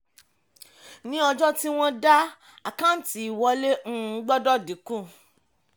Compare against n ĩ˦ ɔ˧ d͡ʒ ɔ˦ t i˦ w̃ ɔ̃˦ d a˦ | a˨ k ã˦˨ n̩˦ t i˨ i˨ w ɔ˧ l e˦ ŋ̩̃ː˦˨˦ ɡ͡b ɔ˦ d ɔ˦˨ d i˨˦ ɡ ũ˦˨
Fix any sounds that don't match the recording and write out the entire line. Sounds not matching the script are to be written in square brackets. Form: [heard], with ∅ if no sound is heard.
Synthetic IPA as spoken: n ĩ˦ ɔ˧ d͡ʒ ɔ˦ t i˦ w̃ ɔ̃˦ d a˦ | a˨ k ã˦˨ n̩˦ t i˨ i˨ w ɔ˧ l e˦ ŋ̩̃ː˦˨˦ ɡ͡b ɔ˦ d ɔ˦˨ d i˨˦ [k] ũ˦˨